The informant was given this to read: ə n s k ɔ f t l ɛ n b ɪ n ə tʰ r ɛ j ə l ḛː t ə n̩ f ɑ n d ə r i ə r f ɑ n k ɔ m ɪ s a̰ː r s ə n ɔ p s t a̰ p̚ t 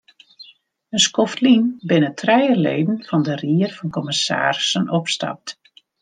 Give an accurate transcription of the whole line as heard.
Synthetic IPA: ə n s k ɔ f t l i n b ɪ n ə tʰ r ɛ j ə l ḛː d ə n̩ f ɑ n d ə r i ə r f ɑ n k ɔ m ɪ s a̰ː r s ə n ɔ p s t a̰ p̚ t

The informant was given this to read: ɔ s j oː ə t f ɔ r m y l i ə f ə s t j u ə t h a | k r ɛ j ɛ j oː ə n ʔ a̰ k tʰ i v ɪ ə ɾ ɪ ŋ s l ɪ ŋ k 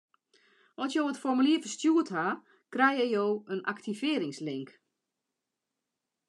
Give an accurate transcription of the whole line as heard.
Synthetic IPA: ɔ s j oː ə t f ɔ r m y l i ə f ə s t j u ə t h a | k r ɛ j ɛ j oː ə n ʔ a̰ k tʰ i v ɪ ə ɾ ɪ ŋ s l ɪ ŋ k

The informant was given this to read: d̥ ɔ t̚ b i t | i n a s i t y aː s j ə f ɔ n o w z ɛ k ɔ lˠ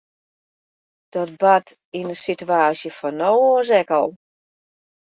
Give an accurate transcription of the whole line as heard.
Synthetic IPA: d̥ ɔ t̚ b a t | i n ə s i t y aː s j ə f ɔ n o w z ɛ k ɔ lˠ

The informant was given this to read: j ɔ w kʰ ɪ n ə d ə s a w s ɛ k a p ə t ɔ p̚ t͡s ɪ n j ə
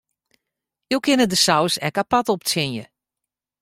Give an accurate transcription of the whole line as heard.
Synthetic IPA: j o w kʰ ɪ n ə d ə s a w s ɛ k a p a t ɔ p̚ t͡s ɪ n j ə

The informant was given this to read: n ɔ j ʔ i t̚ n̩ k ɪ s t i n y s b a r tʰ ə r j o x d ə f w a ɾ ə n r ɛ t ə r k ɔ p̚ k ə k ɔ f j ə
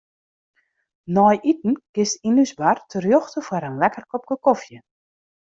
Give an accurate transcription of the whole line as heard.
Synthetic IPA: n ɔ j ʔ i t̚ n̩ k ɪ s t i n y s b a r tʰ ə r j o x t ə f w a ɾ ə n l ɛ k ə r k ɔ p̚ k ə k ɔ f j ə

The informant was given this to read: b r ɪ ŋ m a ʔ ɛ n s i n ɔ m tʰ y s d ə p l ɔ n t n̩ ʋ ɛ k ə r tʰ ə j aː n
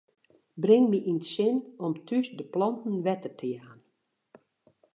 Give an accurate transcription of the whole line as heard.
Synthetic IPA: b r ɪ ŋ m i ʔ i n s ɪ n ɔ m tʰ y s d ə p l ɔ n t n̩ ʋ ɛ t ə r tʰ ə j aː n

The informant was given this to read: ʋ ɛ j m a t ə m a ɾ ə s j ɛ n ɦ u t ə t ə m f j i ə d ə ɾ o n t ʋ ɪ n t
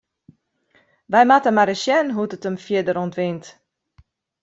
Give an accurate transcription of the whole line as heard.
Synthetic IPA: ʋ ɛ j m a t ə m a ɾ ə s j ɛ n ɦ u t ə t ə m f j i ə d ə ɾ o n t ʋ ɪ n t

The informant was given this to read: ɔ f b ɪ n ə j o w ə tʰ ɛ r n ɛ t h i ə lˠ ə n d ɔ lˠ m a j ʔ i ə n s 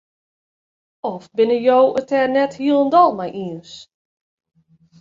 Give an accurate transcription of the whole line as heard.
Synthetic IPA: ɔ f b ɪ n ə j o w ə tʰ ɛ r n ɛ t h i ə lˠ ə n d ɔ lˠ m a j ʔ i ə n s

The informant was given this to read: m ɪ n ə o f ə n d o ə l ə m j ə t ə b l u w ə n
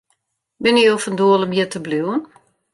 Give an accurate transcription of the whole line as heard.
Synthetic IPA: b ɪ n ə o f ə n d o ə l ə m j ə t ə b l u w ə n

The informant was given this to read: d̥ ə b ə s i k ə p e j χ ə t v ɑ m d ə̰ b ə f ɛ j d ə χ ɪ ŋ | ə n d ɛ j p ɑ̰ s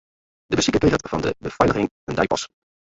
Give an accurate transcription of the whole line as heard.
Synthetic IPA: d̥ ə b ə s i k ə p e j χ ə t v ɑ n d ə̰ b ə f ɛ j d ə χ ɪ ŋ | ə n d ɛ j p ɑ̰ s

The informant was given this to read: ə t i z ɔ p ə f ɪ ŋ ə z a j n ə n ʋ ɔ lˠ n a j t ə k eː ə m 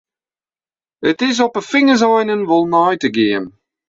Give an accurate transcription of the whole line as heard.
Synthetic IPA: ə t ɪ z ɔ p ə f ɪ ŋ ə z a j n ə n v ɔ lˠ n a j t ə ɡ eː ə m

